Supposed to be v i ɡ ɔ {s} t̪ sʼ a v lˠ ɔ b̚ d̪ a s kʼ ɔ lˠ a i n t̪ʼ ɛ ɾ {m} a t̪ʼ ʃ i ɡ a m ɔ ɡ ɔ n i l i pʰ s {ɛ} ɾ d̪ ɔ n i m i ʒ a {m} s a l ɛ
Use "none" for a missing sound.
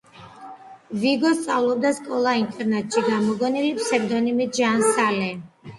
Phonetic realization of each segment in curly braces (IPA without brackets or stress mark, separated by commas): s, n, ɛ, n